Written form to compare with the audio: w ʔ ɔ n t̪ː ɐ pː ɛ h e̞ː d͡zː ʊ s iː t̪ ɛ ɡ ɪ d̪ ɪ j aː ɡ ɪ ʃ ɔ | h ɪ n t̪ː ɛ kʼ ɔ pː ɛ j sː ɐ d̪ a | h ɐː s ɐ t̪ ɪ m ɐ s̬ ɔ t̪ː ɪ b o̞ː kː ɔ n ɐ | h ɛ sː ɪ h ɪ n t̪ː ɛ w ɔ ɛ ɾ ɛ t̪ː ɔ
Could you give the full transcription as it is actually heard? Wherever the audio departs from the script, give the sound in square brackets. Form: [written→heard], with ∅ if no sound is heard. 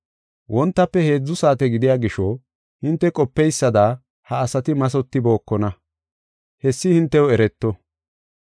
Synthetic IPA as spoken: w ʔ ɔ n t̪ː ɐ pː ɛ h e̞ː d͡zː ʊ s [iː→aː] t̪ ɛ ɡ ɪ d̪ ɪ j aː ɡ ɪ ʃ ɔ | h ɪ n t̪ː ɛ kʼ ɔ pː ɛ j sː ɐ d̪ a | h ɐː s ɐ t̪ ɪ m ɐ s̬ ɔ t̪ː ɪ b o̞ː kː ɔ n ɐ | h ɛ sː ɪ h ɪ n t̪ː ɛ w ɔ ɛ ɾ ɛ t̪ː ɔ